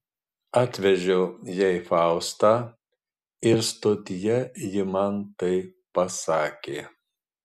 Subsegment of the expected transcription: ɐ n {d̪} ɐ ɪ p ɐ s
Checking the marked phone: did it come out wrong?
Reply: yes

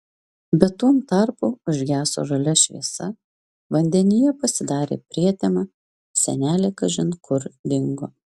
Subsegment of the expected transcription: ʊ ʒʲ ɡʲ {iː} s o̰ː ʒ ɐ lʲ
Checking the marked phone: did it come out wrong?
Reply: yes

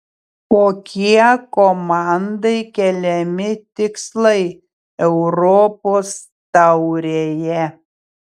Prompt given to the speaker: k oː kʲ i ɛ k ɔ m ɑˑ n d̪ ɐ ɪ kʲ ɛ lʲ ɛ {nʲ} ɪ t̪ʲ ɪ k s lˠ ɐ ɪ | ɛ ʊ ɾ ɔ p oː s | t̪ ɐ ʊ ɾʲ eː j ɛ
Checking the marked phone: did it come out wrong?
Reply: yes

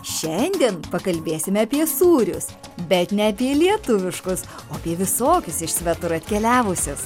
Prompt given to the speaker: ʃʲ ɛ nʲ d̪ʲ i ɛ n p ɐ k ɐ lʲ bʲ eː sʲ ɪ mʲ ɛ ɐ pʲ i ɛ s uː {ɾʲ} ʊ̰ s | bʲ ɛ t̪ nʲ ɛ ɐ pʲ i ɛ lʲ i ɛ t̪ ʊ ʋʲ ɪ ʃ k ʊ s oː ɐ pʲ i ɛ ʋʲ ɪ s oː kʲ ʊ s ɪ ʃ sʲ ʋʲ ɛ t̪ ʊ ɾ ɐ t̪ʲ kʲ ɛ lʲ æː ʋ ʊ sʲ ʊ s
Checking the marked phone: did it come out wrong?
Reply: no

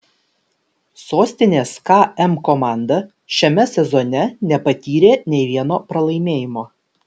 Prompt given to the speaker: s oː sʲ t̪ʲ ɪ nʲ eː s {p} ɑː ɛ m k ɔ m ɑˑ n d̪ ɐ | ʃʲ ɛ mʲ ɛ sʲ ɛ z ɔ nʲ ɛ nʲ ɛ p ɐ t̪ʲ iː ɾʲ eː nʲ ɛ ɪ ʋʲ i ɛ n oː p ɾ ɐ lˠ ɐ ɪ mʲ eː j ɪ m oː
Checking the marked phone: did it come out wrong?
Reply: yes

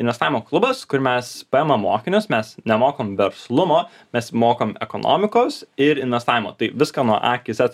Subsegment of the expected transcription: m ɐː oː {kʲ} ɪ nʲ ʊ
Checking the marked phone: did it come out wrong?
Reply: no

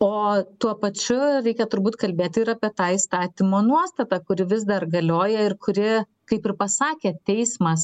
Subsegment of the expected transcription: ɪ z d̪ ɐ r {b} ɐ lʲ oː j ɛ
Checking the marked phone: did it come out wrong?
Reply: yes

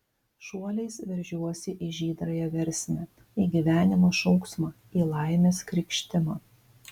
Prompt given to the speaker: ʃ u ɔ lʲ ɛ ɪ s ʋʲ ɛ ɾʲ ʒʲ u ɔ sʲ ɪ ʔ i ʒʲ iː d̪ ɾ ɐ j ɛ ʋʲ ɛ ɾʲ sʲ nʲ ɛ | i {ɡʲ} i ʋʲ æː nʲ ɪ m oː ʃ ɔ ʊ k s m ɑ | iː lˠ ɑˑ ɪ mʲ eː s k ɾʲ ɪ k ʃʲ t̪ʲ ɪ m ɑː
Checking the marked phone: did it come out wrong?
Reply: no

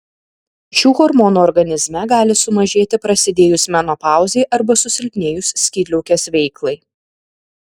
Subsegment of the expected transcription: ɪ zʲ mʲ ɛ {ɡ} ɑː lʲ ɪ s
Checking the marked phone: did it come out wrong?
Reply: no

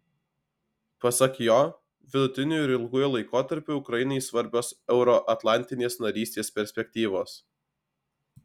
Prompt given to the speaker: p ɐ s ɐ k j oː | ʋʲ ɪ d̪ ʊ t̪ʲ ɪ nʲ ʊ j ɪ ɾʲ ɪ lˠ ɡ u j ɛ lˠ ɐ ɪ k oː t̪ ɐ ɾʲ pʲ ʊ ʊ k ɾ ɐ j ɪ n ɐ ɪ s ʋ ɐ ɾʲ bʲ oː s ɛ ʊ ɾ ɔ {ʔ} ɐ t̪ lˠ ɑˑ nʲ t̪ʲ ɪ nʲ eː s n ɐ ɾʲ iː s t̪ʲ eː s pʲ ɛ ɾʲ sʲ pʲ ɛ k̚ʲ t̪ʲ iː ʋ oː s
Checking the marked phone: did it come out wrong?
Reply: no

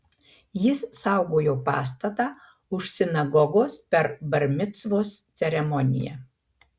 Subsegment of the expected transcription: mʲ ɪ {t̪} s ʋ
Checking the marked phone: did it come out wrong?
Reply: no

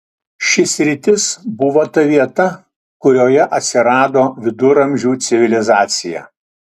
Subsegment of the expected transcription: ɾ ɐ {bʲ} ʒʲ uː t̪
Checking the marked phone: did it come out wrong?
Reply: yes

